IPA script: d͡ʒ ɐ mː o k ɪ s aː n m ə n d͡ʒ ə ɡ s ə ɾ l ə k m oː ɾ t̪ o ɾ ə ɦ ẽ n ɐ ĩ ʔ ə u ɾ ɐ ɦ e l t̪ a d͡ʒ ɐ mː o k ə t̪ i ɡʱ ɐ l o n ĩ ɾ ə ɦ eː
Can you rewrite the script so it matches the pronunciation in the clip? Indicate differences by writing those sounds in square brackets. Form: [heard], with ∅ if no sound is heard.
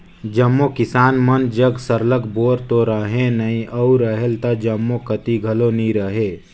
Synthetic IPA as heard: d͡ʒ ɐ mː o k ɪ s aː n m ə n d͡ʒ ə ɡ s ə ɾ l ə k [b] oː ɾ t̪ o ɾ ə ɦ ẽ n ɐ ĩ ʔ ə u ɾ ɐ ɦ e l t̪ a d͡ʒ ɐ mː o k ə t̪ i ɡʱ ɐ l o n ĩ ɾ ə ɦ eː